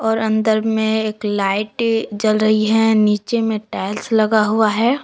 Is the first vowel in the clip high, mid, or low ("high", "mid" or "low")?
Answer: mid